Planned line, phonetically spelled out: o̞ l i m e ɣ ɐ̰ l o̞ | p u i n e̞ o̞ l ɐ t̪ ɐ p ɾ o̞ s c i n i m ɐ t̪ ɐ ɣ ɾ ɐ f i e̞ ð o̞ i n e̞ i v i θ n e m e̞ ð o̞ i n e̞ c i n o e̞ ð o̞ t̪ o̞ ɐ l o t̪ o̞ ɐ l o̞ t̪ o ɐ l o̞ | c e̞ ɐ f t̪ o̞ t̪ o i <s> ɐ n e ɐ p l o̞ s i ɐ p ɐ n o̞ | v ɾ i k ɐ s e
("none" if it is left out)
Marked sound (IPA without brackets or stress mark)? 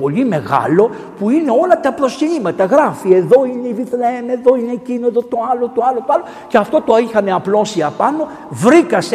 x